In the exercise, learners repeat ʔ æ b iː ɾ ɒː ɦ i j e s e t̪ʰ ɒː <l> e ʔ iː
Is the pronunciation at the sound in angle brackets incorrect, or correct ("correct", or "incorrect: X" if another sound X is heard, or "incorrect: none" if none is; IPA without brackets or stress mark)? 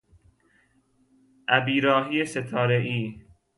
incorrect: ɾ